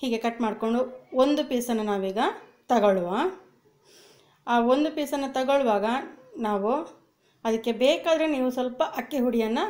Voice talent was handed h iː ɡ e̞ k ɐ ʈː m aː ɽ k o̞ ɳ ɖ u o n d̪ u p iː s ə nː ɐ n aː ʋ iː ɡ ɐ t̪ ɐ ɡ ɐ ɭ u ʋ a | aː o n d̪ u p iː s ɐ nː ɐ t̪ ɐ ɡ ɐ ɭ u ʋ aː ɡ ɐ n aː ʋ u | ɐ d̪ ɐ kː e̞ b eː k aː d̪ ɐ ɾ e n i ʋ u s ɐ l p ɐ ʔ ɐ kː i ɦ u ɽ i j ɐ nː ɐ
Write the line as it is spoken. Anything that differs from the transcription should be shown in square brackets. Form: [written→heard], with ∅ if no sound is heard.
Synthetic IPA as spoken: h iː ɡ e̞ k ɐ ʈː m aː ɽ k o̞ ɳ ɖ u o n d̪ u p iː s [ə→ɐ] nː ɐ n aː ʋ iː ɡ ɐ t̪ ɐ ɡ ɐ ɭ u ʋ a | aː o n d̪ u p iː s ɐ nː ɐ t̪ ɐ ɡ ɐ ɭ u ʋ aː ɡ ɐ n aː ʋ u | ɐ d̪ ɐ kː e̞ b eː k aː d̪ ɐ ɾ e n [i→iː] ʋ u s ɐ l p ɐ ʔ ɐ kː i ɦ u ɽ i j ɐ nː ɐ